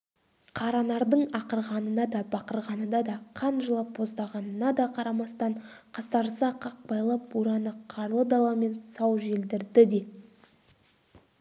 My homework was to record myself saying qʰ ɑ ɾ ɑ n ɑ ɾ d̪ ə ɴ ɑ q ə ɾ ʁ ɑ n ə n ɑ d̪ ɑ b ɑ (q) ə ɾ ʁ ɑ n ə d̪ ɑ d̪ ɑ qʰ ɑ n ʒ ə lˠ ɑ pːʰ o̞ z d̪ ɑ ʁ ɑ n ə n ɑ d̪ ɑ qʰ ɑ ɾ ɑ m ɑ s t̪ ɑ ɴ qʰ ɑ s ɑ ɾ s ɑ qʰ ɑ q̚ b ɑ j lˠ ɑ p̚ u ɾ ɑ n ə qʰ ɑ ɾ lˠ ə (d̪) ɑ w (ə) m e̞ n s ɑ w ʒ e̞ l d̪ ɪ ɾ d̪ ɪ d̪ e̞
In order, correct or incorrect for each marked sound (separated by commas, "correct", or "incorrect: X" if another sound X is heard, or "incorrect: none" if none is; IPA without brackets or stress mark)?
correct, correct, incorrect: ɑ